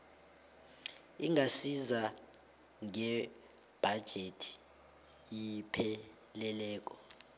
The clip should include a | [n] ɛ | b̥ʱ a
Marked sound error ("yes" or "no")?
yes